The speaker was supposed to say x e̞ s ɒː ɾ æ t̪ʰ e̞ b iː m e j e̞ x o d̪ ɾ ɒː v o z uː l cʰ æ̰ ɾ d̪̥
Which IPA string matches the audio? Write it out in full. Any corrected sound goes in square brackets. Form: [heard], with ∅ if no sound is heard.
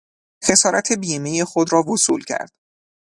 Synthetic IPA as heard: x e̞ s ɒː ɾ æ t̪ʰ e̞ b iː m e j e̞ x o d̪ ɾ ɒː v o [s] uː l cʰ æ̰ ɾ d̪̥